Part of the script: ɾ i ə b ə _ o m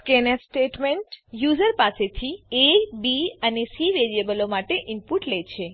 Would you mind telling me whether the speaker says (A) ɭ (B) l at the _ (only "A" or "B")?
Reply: B